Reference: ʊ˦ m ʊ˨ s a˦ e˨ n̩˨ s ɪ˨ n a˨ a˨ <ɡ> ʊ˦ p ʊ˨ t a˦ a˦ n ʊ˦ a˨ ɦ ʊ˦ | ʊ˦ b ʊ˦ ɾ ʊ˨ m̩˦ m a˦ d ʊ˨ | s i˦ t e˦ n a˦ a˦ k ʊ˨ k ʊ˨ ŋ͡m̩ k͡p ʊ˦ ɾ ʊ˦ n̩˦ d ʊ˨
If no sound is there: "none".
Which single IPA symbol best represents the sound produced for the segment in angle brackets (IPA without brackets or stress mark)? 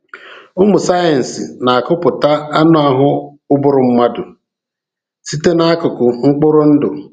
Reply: k